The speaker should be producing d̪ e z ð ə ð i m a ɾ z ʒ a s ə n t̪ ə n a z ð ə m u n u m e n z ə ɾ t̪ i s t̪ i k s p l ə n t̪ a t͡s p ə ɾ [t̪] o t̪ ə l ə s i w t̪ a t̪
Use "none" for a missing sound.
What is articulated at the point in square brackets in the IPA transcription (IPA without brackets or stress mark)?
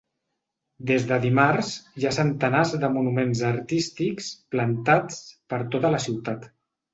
t̪